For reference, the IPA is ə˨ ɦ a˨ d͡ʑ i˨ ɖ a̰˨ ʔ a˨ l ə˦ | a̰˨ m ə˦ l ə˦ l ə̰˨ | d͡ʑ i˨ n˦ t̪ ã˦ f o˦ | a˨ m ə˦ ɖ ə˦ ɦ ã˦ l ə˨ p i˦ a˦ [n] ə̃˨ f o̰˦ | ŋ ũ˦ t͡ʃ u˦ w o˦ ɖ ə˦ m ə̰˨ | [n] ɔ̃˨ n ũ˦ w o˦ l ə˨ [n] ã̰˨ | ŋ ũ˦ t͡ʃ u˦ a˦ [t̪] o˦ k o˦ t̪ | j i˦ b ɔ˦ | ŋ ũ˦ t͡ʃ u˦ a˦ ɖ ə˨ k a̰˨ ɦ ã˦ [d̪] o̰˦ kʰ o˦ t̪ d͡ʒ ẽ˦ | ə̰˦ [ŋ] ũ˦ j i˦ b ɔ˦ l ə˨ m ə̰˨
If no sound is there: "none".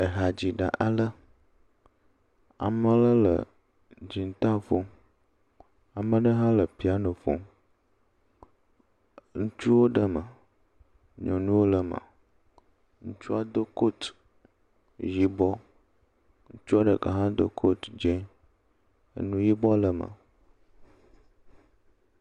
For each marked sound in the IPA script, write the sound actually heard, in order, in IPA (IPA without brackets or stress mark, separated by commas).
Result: n, ɲ, m, d̪, d̪, n